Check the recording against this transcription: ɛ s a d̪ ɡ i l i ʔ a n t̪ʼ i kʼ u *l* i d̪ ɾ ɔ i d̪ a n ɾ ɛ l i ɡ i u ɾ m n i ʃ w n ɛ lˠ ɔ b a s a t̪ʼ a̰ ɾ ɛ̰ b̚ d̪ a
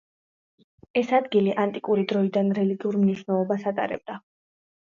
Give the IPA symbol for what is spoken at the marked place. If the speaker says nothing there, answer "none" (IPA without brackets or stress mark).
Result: ɾ